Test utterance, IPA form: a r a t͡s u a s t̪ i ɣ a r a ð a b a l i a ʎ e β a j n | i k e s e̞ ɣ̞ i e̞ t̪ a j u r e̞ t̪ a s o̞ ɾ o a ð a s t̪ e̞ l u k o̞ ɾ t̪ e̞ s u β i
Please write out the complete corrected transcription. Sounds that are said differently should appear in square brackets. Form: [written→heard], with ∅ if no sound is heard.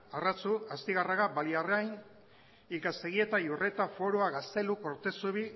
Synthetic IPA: a r a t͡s u a s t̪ i ɣ a r a [ð→ɣ] a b a l i a [ʎ→r] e [β→∅] a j n | i k [e→a] s e̞ ɣ̞ i e̞ t̪ a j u r e̞ t̪ a [s→f] o̞ ɾ o a [ð→ɣ] a s t̪ e̞ l u k o̞ ɾ t̪ e̞ s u β i